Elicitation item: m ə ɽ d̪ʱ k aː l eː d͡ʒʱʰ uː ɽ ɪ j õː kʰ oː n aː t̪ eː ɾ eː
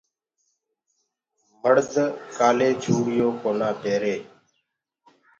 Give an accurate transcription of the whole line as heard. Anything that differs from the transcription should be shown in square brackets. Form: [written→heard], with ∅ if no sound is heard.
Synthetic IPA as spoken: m ə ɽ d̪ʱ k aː l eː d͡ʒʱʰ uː ɽ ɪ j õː [kʰ→k] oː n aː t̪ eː ɾ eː